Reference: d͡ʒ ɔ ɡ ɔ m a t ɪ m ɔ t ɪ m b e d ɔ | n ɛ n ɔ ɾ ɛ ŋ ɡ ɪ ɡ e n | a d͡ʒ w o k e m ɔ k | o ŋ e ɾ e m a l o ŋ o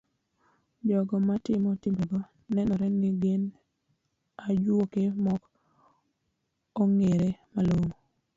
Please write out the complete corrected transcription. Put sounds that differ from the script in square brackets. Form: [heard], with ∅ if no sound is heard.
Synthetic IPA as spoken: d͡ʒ ɔ ɡ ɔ m a t ɪ m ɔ t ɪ m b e [ɡ] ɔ | n ɛ n ɔ ɾ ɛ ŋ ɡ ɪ ɡ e n | a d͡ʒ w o k e m ɔ k | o ŋ e ɾ e m a l o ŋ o